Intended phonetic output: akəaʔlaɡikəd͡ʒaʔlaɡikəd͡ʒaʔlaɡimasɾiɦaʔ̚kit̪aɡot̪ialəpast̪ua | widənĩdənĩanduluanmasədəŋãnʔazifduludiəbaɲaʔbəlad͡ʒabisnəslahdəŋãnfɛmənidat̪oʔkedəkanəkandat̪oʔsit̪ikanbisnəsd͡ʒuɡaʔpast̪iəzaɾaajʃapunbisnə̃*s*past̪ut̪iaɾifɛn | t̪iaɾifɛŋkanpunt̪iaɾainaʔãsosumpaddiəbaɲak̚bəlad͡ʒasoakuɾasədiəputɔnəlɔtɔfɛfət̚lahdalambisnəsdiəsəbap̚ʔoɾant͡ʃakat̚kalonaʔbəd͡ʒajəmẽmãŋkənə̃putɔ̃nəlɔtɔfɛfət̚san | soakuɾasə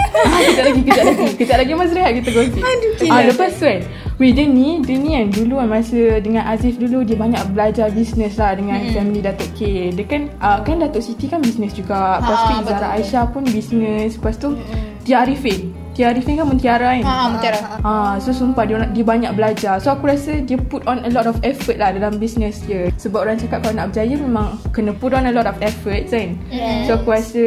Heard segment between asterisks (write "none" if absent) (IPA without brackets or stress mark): s